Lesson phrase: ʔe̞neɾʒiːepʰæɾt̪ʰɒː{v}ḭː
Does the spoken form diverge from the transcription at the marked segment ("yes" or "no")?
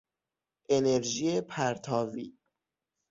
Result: no